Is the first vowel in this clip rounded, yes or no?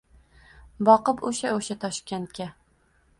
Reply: yes